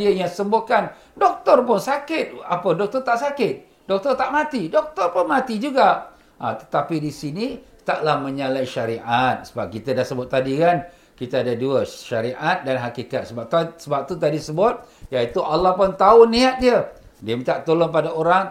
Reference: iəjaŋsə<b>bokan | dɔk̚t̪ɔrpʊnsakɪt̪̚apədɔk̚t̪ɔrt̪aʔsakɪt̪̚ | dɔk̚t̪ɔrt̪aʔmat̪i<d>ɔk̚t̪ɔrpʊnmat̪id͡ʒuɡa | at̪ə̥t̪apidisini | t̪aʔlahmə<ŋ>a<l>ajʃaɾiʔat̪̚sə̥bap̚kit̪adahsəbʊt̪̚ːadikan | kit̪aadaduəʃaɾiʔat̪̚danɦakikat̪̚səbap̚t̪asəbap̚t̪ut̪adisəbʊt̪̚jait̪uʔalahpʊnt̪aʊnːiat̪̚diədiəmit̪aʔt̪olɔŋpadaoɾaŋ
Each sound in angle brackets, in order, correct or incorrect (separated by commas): incorrect, correct, incorrect, correct